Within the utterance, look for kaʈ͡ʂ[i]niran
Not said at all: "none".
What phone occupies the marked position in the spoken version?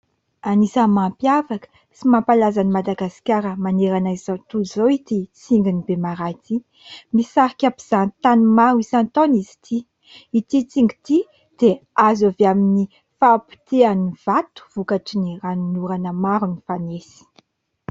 i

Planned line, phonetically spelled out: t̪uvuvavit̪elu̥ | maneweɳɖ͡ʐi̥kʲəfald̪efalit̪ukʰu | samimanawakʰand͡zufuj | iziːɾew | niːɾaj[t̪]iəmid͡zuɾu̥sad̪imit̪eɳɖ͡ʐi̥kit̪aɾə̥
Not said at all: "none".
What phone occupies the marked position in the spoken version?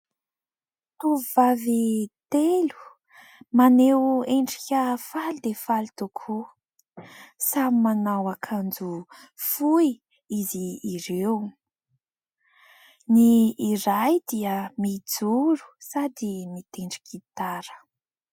d̪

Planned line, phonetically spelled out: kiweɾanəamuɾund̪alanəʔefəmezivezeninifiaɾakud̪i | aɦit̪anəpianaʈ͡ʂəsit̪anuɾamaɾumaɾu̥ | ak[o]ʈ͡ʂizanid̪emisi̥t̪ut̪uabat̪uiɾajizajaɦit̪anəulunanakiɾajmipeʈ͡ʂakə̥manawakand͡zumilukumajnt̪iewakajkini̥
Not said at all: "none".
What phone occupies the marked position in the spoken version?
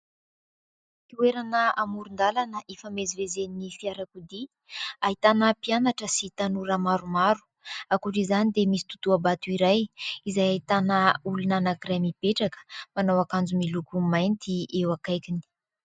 u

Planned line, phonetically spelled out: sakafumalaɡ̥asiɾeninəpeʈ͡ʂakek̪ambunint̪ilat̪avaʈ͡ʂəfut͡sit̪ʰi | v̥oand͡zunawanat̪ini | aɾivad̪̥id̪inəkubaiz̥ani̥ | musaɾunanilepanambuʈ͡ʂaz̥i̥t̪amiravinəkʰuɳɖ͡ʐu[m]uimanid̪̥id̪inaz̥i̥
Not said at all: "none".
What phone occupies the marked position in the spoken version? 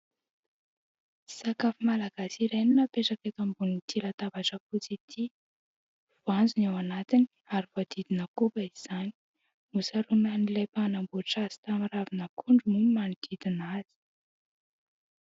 m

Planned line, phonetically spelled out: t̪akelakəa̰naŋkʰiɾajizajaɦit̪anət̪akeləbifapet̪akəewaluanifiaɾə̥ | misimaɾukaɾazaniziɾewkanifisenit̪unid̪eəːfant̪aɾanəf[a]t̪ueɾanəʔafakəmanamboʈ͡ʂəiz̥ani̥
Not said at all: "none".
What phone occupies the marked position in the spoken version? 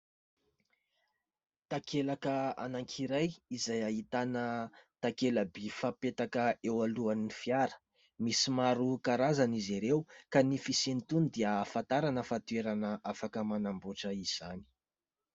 a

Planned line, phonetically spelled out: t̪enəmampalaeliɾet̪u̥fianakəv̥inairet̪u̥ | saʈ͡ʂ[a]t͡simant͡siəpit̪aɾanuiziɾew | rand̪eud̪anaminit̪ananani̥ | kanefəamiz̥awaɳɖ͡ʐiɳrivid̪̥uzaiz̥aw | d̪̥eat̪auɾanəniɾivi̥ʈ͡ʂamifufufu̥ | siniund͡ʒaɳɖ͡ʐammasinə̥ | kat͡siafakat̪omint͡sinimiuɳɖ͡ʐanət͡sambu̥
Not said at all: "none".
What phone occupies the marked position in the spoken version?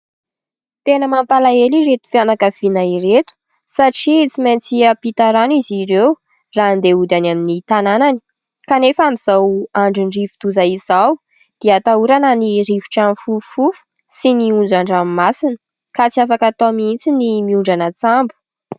i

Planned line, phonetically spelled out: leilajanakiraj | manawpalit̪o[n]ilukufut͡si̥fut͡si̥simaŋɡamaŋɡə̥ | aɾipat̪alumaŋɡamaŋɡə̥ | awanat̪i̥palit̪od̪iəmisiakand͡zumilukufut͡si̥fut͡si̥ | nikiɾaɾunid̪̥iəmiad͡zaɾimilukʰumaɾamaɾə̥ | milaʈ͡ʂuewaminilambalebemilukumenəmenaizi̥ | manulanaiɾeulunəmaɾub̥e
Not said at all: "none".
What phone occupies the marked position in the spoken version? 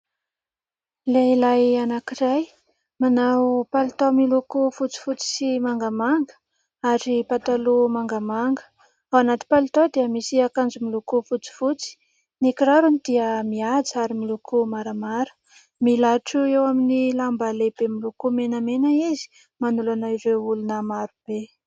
m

